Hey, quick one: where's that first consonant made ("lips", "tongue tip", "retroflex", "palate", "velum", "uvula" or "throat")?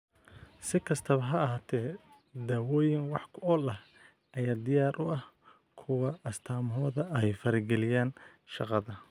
tongue tip